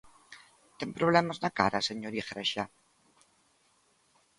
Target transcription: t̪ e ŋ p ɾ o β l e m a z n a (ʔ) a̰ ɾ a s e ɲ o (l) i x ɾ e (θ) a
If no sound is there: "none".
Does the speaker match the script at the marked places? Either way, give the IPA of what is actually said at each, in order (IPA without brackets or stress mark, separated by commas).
k, ɾ, ʃ